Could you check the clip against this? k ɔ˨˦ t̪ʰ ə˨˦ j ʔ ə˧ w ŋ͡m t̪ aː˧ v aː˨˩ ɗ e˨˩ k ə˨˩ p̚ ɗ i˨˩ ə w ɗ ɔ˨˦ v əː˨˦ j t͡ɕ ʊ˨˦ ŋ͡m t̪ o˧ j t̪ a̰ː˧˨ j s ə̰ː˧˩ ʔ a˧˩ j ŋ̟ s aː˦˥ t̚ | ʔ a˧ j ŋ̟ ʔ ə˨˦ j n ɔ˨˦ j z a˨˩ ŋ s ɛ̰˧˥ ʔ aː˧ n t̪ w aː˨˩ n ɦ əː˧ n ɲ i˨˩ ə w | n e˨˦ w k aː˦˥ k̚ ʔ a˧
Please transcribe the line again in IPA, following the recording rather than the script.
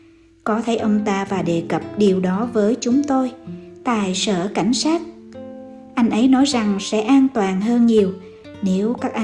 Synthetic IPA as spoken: k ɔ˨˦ t̪ʰ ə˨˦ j ʔ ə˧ w ŋ͡m t̪ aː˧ v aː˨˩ ɗ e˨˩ k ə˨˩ p̚ ɗ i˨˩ ə w ɗ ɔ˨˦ v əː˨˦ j t͡ɕ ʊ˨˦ ŋ͡m t̪ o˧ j t̪ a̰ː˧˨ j s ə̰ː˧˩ k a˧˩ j ŋ̟ s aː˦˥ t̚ | ʔ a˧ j ŋ̟ ʔ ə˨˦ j n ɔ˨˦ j z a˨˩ ŋ s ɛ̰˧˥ ʔ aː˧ n t̪ w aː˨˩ n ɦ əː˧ n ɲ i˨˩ ə w | n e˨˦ w k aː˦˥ k̚ ʔ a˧

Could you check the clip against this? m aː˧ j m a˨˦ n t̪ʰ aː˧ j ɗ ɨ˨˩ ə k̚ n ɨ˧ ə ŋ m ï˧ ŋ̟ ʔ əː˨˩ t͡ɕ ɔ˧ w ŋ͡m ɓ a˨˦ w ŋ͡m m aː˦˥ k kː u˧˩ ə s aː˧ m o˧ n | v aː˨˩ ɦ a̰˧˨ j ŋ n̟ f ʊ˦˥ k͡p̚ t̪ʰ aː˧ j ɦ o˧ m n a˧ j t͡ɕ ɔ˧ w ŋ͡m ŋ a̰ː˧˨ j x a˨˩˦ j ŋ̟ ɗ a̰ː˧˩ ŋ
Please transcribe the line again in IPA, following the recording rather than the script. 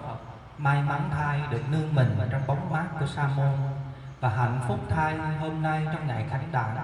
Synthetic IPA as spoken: m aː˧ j m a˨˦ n t̪ʰ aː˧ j ɗ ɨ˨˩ ə k̚ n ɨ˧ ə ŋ m ï˨˩ ŋ̟ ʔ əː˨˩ t͡ɕ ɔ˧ w ŋ͡m ɓ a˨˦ w ŋ͡m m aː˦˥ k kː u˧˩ ə s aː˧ m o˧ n | v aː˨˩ ɦ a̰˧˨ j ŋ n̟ f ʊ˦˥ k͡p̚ t̪ʰ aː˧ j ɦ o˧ m n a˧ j t͡ɕ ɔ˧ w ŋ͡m ŋ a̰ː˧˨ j x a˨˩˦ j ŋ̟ ɗ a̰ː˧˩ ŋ

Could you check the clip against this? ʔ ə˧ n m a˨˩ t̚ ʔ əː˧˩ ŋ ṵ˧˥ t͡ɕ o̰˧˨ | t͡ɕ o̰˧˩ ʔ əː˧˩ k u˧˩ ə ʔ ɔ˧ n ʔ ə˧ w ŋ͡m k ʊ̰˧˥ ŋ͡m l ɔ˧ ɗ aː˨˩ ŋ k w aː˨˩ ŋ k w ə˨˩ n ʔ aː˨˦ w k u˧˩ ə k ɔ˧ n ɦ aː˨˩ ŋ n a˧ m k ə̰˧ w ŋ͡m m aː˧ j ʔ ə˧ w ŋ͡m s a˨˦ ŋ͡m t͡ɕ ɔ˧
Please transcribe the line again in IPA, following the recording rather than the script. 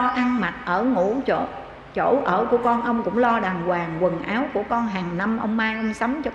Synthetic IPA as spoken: ʔ a˧ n m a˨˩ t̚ ʔ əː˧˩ ŋ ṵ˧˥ t͡ɕ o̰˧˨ | t͡ɕ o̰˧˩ ʔ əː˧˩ k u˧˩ ə k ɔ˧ n ʔ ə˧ w ŋ͡m k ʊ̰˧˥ ŋ͡m l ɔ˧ ɗ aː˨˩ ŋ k w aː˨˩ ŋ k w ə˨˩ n ʔ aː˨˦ w k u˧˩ ə k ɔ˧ n ɦ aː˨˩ ŋ n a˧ m ʔ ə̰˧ w ŋ͡m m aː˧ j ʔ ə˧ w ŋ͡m s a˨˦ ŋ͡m t͡ɕ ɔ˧

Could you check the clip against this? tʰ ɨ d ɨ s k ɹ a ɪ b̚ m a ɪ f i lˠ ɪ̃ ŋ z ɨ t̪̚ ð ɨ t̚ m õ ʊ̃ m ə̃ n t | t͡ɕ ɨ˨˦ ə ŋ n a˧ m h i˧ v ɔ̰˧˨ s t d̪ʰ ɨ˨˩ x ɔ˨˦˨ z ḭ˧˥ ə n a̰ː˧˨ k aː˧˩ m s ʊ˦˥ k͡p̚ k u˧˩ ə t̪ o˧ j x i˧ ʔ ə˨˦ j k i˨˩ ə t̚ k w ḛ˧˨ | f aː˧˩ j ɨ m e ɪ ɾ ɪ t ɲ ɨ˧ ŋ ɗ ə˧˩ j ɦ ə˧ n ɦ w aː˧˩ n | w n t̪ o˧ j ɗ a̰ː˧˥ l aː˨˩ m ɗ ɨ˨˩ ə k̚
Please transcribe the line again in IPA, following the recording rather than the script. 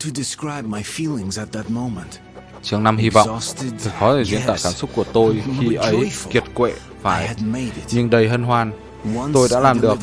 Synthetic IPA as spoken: tʰ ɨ d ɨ s k ɹ a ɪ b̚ m a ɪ f i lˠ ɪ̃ ŋ z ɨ t̪̚ ð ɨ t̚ m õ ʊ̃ m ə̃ n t | t͡ɕ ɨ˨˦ ə ŋ n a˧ m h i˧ v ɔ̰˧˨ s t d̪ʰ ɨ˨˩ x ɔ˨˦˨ z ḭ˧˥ ə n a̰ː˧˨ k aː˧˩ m s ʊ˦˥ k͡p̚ k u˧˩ ə t̪ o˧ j x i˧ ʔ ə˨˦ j k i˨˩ ə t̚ k w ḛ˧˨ | f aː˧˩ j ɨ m e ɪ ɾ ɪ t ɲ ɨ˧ ŋ ɗ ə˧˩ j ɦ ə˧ n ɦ w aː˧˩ n | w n t̪ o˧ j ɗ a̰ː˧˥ l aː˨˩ m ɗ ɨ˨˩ ə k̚

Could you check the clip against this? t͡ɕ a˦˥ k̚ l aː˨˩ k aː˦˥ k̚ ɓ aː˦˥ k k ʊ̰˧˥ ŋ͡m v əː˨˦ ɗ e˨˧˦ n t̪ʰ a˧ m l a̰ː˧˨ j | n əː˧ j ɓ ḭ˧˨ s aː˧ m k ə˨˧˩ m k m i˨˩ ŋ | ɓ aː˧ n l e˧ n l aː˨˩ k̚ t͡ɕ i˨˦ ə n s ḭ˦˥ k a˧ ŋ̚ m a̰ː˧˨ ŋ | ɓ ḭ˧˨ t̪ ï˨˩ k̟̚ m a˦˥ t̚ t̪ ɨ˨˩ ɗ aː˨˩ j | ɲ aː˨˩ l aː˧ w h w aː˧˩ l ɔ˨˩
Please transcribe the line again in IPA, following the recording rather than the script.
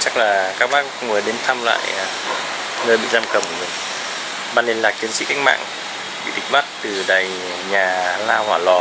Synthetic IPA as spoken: t͡ɕ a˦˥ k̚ l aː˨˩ k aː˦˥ k̚ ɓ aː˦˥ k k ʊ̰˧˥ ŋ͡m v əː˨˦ ɗ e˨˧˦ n t̪ʰ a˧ m l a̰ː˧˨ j | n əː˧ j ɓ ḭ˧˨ z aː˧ m k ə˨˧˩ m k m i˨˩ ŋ | ɓ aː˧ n l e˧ n l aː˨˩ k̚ t͡ɕ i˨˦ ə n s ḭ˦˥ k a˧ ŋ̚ m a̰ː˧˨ ŋ | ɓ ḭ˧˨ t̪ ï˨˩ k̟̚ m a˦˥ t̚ t̪ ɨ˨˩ ɗ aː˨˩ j | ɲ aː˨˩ l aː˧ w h w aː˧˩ l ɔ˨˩

